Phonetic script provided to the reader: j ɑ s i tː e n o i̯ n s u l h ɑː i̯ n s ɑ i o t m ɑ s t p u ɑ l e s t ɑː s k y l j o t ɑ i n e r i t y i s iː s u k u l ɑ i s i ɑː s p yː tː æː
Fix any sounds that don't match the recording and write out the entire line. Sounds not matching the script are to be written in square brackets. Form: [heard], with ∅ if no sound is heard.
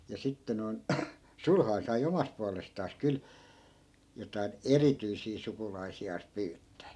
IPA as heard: j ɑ s i tː e n o i̯ n s u l h [ɑ] i̯ n s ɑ i o [∅] m ɑ s t p u ɑ l e s t ɑː s k y l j o t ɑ i n e r i t y i s iː s u k u l ɑ i s i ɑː s p yː tː æː